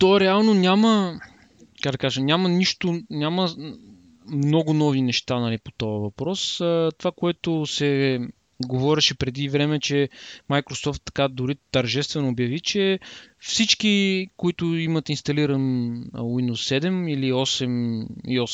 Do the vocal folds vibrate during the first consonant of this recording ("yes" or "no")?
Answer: no